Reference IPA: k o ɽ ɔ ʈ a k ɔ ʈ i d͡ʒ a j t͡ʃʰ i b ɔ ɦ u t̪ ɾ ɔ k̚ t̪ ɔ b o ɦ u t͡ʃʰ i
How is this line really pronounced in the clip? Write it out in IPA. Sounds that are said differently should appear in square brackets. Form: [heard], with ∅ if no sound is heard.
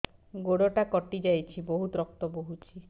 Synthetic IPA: [ɡ] o ɽ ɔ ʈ a k ɔ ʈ i d͡ʒ a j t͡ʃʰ i b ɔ ɦ u t̪ ɾ ɔ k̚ t̪ ɔ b o ɦ u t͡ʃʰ i